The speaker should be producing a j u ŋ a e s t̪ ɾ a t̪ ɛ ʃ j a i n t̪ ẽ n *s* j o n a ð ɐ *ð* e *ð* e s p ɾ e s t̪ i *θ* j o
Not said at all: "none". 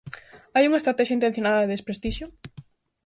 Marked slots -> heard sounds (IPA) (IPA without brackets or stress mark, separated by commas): θ, ð, ð, ʃ